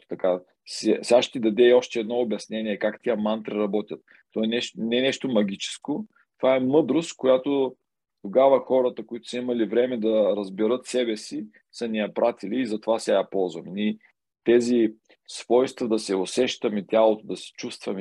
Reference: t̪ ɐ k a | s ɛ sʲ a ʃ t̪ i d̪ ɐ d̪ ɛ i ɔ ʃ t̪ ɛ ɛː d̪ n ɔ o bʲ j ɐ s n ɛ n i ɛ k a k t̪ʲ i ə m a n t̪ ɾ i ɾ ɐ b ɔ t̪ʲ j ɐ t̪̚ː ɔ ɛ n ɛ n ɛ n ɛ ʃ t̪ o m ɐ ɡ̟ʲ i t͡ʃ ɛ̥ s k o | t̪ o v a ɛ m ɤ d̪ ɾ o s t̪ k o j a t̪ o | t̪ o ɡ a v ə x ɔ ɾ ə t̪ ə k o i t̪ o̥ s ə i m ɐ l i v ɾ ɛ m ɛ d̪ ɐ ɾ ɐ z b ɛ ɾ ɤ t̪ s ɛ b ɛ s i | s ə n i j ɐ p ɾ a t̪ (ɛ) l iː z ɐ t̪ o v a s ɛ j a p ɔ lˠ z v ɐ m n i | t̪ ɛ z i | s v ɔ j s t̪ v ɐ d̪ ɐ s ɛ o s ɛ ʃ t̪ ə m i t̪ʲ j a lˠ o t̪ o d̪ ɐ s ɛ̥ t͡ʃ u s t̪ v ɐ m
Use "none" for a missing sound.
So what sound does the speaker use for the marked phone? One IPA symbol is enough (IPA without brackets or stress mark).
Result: i